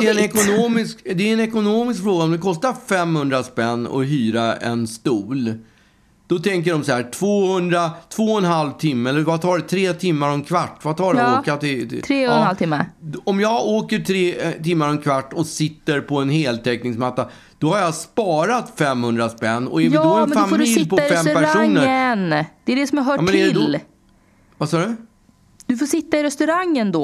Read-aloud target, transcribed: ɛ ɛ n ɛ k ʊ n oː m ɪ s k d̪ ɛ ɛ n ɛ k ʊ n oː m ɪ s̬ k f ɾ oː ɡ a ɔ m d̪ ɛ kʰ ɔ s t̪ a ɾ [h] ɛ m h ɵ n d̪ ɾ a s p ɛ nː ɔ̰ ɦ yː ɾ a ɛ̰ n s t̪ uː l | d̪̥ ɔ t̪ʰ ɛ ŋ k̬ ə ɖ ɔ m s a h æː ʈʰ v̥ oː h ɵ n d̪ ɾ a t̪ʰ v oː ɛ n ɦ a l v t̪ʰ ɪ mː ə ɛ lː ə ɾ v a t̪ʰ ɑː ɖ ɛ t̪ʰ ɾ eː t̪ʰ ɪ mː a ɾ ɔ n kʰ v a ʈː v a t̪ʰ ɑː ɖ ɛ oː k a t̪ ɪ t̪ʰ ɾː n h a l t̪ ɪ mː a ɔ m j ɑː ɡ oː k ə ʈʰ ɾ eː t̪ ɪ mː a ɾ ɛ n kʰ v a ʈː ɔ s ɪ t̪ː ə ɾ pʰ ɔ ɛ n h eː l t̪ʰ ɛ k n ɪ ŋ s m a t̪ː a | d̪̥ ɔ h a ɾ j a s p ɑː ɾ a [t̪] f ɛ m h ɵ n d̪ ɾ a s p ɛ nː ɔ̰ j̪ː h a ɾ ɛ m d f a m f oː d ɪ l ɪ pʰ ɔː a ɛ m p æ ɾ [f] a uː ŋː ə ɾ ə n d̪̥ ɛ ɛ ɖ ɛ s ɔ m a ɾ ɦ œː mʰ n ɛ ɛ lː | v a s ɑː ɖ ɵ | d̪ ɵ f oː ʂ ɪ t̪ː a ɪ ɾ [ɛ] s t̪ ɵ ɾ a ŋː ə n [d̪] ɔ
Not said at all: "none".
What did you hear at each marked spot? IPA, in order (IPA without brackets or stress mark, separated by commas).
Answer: f, t̪, ʂ, ɛ, d̪